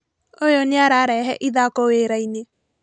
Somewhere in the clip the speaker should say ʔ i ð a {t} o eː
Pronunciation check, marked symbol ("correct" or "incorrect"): incorrect